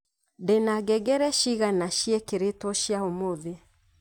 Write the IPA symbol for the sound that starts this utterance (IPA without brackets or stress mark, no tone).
d